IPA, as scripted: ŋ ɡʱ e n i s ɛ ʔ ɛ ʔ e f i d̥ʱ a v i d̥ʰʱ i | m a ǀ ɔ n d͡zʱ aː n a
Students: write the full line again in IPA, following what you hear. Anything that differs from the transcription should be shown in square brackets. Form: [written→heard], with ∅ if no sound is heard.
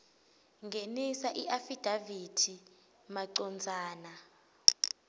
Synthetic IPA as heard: ŋ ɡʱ e n i s [ɛ→a] ʔ [ɛ→i] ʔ [e→a] f i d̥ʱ a v i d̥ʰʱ i | m a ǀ ɔ n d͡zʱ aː n a